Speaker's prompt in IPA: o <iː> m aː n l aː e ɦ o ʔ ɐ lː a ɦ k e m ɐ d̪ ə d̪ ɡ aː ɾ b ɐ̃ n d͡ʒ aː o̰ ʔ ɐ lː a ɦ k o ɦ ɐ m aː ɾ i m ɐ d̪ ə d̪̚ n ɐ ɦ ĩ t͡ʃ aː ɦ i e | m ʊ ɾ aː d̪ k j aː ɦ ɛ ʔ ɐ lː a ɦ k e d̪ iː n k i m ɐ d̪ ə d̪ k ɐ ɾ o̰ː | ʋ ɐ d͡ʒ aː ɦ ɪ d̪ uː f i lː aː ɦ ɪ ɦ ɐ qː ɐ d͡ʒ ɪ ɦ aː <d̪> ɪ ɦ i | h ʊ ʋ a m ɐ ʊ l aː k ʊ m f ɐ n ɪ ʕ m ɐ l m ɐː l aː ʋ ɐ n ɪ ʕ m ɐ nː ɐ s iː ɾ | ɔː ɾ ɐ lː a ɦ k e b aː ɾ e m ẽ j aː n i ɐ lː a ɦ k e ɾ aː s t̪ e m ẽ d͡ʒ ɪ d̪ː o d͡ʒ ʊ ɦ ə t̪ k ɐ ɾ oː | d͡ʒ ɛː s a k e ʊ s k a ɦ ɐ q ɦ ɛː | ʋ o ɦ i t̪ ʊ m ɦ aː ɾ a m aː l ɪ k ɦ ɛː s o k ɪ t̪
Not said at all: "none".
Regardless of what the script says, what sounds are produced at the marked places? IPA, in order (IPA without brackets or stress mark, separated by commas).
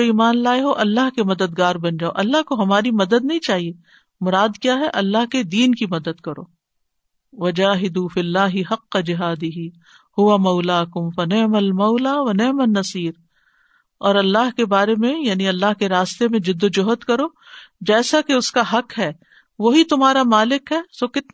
iː, d̪